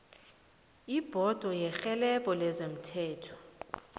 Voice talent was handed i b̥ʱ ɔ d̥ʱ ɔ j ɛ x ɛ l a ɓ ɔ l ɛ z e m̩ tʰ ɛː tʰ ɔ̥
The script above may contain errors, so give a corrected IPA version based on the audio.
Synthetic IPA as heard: i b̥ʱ ɔ d̥ʱ ɔ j ɛ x ɛ l ɛ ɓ ɔ l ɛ z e m̩ tʰ ɛː tʰ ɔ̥